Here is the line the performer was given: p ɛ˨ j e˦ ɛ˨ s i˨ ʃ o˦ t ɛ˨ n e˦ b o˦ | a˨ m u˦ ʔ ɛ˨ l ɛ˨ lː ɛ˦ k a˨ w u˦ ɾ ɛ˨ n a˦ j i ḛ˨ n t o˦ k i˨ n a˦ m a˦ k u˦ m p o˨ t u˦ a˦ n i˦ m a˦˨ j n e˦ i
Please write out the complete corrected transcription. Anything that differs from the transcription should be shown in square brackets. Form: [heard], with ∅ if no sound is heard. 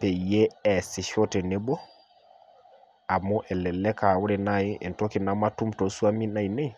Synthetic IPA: p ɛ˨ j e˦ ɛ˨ s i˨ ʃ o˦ t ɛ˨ n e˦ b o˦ | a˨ m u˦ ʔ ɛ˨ l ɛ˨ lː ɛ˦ k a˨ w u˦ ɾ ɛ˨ n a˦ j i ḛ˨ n t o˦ k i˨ n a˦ m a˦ [t] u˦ m [t] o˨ [s] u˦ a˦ [m] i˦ [n] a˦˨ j n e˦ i